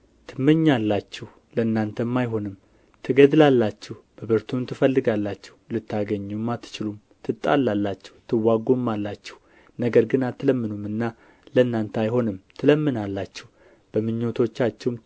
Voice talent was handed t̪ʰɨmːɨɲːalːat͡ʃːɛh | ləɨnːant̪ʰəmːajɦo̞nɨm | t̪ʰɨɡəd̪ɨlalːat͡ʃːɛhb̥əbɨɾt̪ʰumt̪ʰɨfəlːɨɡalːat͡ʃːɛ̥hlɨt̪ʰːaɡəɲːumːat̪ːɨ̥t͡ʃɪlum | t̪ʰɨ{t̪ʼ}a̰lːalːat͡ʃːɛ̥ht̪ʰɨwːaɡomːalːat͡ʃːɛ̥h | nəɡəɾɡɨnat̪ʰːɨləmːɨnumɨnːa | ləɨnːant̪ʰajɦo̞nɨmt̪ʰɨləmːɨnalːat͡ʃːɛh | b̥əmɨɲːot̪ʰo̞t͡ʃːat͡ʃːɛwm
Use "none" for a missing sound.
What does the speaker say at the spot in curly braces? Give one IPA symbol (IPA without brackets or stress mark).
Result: t̪ʼ